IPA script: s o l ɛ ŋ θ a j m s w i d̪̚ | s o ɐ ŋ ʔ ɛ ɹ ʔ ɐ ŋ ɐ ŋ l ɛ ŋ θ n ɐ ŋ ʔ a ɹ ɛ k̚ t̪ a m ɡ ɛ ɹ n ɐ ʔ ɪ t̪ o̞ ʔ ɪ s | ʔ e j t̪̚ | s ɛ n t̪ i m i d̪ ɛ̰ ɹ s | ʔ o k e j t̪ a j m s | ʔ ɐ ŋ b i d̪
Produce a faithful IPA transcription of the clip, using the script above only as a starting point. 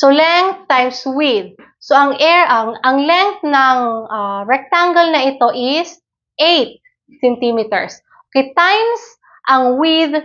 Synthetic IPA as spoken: s o l ɛ ŋ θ a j m s w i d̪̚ | s o ɐ ŋ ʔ ɛ ɹ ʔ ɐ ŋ ɐ ŋ l ɛ ŋ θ n ɐ ŋ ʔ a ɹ ɛ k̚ t̪ a ŋ ɡ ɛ l n ɐ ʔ ɪ t̪ o̞ ʔ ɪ s | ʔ e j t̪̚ | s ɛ n t̪ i m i t̪ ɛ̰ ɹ s | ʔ o k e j t̪ a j m s | ʔ ɐ ŋ w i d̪

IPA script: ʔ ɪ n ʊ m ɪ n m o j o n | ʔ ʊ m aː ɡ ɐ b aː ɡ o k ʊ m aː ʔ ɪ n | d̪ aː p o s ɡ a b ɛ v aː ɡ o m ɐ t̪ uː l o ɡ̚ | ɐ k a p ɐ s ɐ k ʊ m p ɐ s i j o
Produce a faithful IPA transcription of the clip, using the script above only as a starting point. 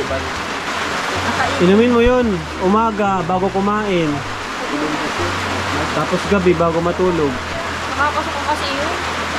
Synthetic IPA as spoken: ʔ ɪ n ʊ m ɪ n m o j o n | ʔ ʊ m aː ɡ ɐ b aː ɡ o k ʊ m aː ʔ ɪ n | t̪ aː p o s ɡ ɐ b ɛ b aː ɡ o m ɐ t̪ uː l o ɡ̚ | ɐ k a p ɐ s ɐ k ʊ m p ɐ s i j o

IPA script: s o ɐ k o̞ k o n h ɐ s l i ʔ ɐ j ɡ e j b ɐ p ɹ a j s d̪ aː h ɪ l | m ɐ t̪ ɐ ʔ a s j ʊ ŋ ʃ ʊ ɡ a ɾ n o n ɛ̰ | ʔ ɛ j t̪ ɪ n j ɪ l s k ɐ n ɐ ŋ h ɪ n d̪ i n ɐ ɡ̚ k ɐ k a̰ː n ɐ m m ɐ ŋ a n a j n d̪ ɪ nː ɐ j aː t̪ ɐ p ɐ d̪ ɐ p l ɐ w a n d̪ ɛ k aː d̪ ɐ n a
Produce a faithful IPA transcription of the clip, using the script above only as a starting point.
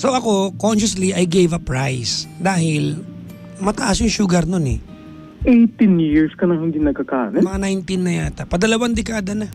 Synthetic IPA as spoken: s o ɐ k o̞ k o n ʃ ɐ s l i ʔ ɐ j ɡ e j v ɐ p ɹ a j s d̪ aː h ɪ l | m ɐ t̪ ɐ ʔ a s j ʊ ŋ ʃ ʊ ɡ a ɾ n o n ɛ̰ | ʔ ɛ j t̪ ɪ n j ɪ ɹ s k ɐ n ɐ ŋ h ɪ n d̪ i n ɐ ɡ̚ k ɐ k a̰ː n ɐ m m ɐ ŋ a n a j n t̪ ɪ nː ɐ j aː t̪ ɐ p ɐ d̪ ɐ l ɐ w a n d̪ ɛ k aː d̪ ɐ n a

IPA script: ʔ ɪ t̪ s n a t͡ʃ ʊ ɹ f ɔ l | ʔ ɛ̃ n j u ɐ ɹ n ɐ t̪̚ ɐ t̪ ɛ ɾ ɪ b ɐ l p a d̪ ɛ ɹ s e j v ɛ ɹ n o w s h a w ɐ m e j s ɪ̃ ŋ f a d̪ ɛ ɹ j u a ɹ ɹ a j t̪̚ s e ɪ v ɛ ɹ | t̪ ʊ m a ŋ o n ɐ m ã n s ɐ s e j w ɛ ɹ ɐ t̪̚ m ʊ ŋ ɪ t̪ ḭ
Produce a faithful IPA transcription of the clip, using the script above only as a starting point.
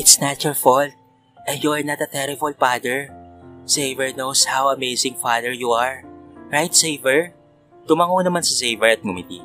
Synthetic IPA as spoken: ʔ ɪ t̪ s n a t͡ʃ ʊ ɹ f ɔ l | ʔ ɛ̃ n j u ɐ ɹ n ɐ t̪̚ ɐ t̪ ɛ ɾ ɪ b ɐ l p a d̪ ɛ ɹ s e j v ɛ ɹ n o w s h a w ɐ m e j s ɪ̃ ŋ f a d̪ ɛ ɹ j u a ɹ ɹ a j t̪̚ s e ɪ v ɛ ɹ | t̪ ʊ m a ŋ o n ɐ m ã n s ɐ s e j v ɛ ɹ ɐ t̪̚ m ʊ m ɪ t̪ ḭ

